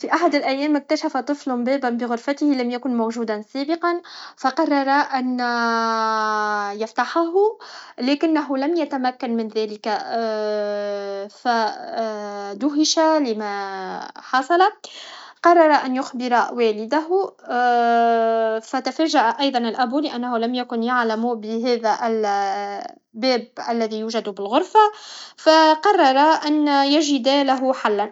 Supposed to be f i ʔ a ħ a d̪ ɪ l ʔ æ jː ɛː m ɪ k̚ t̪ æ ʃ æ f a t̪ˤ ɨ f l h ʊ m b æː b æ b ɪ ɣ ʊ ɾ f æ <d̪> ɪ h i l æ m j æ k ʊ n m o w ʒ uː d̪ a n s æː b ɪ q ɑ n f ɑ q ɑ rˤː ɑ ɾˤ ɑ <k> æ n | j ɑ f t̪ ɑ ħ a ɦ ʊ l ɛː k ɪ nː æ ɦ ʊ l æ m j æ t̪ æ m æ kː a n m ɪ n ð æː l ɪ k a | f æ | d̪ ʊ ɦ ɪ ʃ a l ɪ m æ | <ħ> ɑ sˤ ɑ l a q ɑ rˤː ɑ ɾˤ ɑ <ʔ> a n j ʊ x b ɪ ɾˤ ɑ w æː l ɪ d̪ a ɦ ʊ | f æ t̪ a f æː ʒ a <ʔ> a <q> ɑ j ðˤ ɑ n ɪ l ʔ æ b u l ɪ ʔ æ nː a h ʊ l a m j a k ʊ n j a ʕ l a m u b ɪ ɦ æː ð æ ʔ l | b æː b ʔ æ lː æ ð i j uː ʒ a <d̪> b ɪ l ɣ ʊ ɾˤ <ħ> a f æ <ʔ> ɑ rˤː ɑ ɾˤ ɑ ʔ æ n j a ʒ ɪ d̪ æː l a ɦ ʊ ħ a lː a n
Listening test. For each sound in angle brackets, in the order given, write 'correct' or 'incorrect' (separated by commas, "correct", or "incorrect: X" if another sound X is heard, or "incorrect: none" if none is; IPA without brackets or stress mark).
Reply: incorrect: t̪, incorrect: ʔ, correct, correct, correct, incorrect: ʔ, correct, incorrect: f, incorrect: q